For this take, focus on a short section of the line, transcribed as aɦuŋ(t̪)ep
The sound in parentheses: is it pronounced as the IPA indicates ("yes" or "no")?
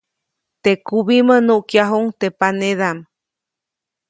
yes